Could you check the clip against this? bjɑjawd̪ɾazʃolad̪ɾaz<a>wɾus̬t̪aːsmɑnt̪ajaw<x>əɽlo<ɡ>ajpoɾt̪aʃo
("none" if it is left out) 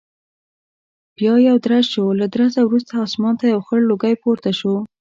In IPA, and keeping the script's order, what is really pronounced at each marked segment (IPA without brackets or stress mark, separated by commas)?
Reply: a, x, ɡ